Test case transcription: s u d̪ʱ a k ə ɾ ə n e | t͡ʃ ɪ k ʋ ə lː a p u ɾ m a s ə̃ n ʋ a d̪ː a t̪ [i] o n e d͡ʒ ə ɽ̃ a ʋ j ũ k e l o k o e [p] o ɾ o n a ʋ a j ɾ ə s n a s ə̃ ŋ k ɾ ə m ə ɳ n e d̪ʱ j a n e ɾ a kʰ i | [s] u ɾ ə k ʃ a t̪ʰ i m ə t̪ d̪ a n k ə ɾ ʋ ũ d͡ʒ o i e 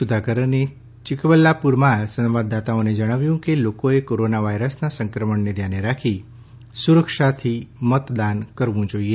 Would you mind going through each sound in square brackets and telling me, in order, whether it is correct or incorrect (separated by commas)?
incorrect, incorrect, correct